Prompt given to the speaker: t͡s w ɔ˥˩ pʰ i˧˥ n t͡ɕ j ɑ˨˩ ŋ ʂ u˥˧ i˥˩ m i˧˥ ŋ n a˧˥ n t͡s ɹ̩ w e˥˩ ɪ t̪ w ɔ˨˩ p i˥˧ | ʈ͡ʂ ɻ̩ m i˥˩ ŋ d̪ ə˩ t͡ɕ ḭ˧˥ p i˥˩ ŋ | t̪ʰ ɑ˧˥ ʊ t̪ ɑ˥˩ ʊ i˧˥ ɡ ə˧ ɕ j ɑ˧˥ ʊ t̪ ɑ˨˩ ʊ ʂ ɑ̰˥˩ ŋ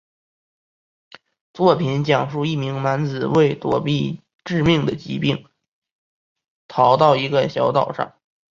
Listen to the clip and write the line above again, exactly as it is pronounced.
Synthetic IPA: t͡s w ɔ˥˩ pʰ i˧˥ n t͡ɕ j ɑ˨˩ ŋ ʂ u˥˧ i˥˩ m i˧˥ ŋ n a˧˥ n t͡s ɹ̩ w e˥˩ ɪ t̪ w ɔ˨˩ p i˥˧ | ʈ͡ʂ ɻ̩ m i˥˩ ŋ d̪ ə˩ t͡ɕ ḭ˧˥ p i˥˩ ŋ | t̪ʰ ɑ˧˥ ʊ t̪ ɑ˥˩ ʊ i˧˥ ɡ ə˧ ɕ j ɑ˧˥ ʊ t̪ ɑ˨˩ ʊ ʂ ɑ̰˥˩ ŋ